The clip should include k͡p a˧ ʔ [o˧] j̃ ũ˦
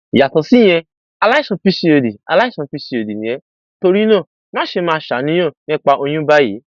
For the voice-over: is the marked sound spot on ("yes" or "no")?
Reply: yes